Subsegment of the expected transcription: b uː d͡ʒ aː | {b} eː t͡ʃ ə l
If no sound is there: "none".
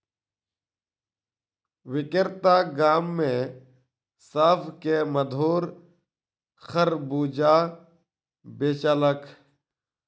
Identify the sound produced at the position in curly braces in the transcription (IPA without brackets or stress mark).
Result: b